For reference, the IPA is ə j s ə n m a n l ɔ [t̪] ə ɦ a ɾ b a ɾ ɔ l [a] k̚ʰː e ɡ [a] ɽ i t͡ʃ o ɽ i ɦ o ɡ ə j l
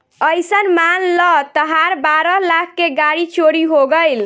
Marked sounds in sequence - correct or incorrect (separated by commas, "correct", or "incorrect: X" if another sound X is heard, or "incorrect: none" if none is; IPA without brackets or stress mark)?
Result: correct, correct, correct